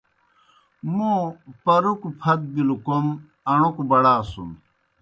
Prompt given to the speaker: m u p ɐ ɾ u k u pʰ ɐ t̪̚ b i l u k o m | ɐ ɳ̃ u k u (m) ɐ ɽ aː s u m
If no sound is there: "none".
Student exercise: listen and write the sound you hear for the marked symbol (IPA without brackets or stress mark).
b